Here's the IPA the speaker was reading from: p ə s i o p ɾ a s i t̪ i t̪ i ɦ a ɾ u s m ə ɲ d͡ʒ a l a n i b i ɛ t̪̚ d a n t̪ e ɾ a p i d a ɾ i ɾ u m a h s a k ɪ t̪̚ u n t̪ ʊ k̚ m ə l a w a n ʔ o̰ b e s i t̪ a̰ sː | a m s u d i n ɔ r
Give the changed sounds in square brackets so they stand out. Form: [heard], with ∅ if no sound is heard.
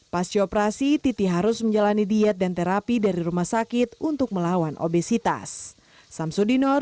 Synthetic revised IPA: p [a] s i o p ɾ a s i t̪ i t̪ i ɦ a ɾ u s m ə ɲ d͡ʒ a l a n i [d] i ɛ t̪̚ d a n t̪ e ɾ a p i d a ɾ i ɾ u m a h s a k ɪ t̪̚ u n t̪ ʊ k̚ m ə l a w a n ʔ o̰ b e s i t̪ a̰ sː | a m s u d i n ɔ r